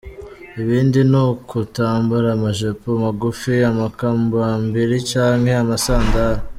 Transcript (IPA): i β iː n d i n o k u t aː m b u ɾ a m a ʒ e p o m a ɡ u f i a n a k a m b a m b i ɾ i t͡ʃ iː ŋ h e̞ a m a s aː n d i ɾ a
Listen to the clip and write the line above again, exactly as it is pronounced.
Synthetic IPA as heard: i β iː n d i n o k u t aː m b u ɾ a m a ʒ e p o m a ɡ u f i a m a k a m b a m b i ɾ i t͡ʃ aː ŋ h e̞ a m a s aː n d a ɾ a